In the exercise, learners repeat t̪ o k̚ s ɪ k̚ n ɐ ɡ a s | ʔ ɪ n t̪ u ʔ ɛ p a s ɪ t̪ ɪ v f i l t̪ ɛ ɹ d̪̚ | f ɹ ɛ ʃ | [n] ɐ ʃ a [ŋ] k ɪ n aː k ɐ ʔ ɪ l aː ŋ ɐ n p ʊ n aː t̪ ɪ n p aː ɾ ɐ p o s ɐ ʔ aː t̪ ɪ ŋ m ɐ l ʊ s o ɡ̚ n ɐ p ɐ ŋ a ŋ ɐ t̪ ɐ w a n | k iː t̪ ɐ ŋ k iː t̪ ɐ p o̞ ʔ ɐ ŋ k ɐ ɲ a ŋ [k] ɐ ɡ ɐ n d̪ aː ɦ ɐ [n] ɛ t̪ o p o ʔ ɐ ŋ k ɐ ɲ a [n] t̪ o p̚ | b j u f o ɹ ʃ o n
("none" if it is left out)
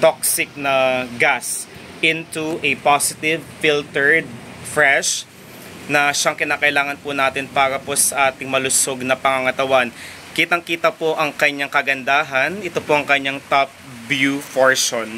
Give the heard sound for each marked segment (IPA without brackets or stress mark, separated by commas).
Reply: n, ŋ, k, n, ŋ